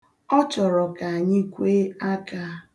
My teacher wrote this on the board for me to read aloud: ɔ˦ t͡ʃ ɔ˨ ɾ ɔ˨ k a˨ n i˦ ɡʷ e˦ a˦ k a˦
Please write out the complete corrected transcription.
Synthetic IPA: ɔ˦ t͡ʃ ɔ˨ ɾ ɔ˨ k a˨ ɲ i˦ kʷ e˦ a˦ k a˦